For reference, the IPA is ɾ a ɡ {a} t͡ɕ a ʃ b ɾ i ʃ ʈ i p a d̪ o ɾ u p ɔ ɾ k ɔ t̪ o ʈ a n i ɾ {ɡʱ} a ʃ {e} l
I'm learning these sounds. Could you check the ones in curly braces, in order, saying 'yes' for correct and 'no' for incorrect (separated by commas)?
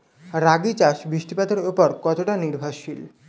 no, no, no